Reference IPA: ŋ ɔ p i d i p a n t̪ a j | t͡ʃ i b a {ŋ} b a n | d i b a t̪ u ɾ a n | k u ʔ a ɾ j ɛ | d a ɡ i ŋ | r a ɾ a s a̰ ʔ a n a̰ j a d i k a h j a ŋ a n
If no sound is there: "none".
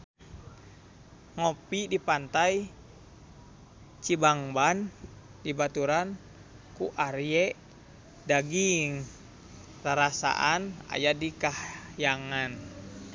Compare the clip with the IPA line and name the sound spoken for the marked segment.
ŋ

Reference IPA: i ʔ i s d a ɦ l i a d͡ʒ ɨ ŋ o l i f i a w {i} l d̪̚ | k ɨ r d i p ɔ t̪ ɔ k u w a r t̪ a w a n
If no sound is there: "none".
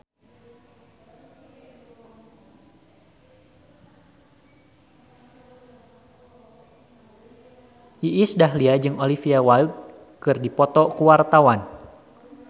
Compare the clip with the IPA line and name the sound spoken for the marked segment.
a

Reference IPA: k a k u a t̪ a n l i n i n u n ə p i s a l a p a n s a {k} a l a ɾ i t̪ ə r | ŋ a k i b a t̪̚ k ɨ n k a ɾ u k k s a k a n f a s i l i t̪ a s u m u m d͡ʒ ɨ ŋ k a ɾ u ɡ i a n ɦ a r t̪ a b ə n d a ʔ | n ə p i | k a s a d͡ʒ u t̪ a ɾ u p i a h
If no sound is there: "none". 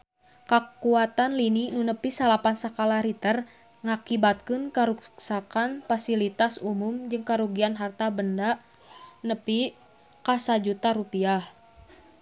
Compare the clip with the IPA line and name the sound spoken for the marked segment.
k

